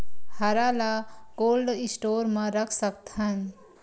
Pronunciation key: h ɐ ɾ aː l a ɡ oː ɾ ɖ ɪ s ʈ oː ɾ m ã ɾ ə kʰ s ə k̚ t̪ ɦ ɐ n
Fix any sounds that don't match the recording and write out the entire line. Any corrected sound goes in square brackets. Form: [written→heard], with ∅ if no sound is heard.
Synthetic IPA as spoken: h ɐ ɾ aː l a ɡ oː [ɾ→l] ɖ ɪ s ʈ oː ɾ m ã ɾ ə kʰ s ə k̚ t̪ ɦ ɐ n

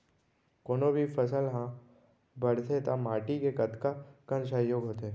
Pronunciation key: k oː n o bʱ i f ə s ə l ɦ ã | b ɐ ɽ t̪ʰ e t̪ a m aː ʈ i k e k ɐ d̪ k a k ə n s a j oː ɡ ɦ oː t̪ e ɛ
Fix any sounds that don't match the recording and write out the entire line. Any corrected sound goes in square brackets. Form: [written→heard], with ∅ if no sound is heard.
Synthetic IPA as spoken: k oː n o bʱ i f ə s ə l ɦ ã | b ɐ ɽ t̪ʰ e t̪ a m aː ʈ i k e k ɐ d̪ k a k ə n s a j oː ɡ ɦ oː t̪ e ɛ

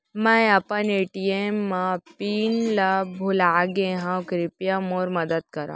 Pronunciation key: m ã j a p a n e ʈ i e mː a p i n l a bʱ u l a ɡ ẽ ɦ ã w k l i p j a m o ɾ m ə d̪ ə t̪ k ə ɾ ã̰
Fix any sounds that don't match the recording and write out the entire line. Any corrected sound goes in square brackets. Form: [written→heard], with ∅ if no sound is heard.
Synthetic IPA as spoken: m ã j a p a n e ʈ i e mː a p i n l a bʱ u l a ɡ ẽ ɦ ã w k [l→ɾ] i p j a m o ɾ m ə d̪ ə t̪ k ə ɾ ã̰

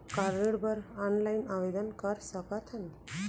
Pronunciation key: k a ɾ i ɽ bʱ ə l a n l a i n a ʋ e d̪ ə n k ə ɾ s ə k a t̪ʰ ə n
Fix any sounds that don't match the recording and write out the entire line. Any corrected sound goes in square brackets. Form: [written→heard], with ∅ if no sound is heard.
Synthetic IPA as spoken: k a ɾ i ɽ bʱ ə [l→ɾ] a n l a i n a ʋ e d̪ ə n k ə ɾ s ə k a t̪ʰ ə n

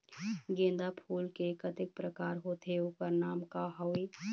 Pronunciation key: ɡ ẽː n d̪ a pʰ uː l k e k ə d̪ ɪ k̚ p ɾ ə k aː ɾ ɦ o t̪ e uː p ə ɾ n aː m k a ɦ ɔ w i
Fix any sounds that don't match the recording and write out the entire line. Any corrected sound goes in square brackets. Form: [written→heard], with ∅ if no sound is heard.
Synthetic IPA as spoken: ɡ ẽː n d̪ a pʰ uː l k e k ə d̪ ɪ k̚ p ɾ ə k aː ɾ ɦ o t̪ e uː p ə ɾ n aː m k a ɦ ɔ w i

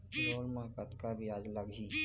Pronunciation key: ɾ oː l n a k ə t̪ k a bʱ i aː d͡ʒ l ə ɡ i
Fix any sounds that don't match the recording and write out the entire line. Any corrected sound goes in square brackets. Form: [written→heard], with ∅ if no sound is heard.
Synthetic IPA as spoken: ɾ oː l [n→m] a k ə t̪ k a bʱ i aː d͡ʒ l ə ɡ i

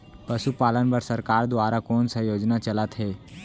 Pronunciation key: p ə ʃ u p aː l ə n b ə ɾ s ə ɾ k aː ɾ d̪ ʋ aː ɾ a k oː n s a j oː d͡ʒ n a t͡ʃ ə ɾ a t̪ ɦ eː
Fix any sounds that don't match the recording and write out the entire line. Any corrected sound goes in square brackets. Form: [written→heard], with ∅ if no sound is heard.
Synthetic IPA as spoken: p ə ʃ u p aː l ə n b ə ɾ s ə ɾ k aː ɾ d̪ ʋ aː ɾ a k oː n s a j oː d͡ʒ n a t͡ʃ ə [ɾ→l] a t̪ ɦ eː

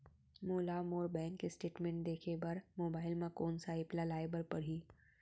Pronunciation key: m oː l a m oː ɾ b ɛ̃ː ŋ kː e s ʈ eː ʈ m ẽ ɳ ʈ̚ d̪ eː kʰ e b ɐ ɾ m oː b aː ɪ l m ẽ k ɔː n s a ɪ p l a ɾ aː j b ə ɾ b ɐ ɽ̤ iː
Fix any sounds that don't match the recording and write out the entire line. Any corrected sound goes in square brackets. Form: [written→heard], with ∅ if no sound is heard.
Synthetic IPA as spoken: m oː l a m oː ɾ b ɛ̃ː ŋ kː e s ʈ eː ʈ m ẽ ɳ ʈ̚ d̪ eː kʰ e b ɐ ɾ m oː b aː ɪ l m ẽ k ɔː n s a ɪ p l a [ɾ→l] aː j b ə ɾ [b→p] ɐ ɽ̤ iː

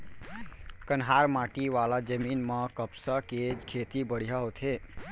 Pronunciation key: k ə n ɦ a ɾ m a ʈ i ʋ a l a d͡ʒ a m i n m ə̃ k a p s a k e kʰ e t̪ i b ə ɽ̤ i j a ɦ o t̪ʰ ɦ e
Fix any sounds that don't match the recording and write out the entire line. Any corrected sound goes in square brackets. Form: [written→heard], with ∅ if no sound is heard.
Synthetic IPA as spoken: k ə n ɦ a ɾ m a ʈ i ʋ a l a d͡ʒ [a→ə] m i n m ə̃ k [a→ə] p s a k e kʰ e t̪ i b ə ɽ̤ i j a ɦ o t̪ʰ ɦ e

